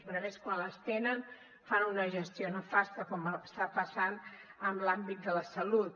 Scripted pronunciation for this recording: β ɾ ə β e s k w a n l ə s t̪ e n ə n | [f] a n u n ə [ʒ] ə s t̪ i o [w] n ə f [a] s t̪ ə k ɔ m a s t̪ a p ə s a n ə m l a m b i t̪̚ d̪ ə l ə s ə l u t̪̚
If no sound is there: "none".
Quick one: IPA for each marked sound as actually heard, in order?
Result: f, ʒ, none, a

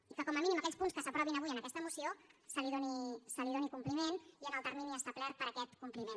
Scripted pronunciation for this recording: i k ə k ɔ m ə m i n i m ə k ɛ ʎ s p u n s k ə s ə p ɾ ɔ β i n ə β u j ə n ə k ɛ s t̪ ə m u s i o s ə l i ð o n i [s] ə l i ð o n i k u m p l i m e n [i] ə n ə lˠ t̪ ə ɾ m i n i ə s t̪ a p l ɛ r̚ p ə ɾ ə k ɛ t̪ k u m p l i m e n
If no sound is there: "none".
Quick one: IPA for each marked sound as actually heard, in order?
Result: s, i

